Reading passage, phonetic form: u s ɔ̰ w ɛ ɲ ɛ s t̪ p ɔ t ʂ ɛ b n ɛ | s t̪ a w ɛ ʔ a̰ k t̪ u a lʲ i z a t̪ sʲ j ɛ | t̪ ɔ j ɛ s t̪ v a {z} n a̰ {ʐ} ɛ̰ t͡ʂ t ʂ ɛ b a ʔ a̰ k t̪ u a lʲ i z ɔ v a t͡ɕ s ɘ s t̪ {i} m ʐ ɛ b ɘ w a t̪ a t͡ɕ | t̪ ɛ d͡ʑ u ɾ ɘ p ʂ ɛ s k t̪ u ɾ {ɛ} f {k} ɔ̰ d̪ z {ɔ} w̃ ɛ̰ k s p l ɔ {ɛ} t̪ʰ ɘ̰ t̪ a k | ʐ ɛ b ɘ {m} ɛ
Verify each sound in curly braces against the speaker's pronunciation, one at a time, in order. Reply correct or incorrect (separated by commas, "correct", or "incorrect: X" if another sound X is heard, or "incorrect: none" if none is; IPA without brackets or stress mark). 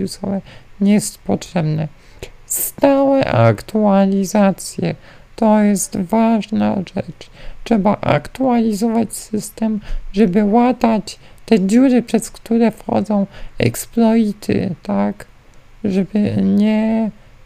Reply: incorrect: ʐ, correct, incorrect: ɛ, correct, incorrect: x, incorrect: ɔ̃, incorrect: i, incorrect: ɲ